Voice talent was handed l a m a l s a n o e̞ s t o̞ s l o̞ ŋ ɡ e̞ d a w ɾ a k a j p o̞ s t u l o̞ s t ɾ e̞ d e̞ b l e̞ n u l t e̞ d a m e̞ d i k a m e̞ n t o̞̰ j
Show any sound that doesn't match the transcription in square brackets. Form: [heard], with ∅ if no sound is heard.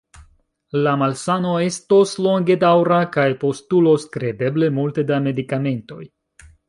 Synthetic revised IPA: l a m a l s a n o e̞ s t o̞ s l o̞ ŋ ɡ e̞ d a w ɾ a k a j p o̞ s t u l o̞ s [k] ɾ e̞ d e̞ b l e̞ [m] u l t e̞ d a m e̞ d i k a m e̞ n t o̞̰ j